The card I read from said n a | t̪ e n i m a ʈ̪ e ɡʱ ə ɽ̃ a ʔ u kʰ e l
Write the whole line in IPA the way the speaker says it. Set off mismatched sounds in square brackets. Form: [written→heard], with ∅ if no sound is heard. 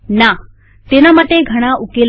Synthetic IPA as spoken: n a | t̪ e n [i→a] m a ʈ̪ e ɡʱ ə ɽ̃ a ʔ u [kʰ→k] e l